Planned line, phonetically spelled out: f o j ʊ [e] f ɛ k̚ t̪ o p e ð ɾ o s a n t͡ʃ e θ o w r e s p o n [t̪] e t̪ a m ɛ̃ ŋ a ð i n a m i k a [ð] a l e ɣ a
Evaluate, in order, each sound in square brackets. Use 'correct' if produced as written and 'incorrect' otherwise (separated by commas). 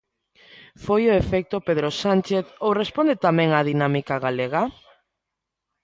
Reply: correct, incorrect, incorrect